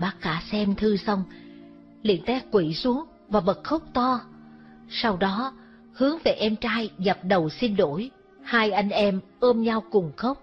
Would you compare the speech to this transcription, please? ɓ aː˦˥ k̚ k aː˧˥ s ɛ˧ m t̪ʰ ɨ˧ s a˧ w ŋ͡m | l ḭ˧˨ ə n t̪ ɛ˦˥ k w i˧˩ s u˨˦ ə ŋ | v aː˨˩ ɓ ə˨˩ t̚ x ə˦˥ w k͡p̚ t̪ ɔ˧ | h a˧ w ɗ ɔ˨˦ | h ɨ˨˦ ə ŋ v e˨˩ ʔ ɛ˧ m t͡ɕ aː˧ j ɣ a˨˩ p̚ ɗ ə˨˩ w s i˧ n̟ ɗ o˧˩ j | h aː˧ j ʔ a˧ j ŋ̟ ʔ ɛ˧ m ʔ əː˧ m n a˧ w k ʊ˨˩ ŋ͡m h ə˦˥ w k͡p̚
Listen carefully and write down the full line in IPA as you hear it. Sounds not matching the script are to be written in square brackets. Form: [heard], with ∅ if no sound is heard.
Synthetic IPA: ɓ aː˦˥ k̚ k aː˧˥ s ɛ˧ m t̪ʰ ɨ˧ s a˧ w ŋ͡m | l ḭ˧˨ ə n t̪ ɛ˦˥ k w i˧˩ s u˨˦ ə ŋ | v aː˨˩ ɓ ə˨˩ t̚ x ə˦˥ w k͡p̚ t̪ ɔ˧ | [s] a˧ w ɗ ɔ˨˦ | h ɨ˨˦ ə ŋ v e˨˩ ʔ ɛ˧ m t͡ɕ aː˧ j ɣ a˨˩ p̚ ɗ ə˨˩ w s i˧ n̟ ɗ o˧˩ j | h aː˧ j ʔ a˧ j ŋ̟ ʔ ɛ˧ m ʔ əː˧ m [ɲ] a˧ w k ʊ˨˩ ŋ͡m [x] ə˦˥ w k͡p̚